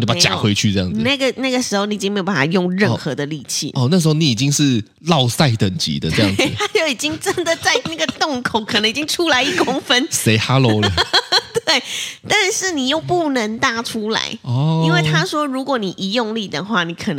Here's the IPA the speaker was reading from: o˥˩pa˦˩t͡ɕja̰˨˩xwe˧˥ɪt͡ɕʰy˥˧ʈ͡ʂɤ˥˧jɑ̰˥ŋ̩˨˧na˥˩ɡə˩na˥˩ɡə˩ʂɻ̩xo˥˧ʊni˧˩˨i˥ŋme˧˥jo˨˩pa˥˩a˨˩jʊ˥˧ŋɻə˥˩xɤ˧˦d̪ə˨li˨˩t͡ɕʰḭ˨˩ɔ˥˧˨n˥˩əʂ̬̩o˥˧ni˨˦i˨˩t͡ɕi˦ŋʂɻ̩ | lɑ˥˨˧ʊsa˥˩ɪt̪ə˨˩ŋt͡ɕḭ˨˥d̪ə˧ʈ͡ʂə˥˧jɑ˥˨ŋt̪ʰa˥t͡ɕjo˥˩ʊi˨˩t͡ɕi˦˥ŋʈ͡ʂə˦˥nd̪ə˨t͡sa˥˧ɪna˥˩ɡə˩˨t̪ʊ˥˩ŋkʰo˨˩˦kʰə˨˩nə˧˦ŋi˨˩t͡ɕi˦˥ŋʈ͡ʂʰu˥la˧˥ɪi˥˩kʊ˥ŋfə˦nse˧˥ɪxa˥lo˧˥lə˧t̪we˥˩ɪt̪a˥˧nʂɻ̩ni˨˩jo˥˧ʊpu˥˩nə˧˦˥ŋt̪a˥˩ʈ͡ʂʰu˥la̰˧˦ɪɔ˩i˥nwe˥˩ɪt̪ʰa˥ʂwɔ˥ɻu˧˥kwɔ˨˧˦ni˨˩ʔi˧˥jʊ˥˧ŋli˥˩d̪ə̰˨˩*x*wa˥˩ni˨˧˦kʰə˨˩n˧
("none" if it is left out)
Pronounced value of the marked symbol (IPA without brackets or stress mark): x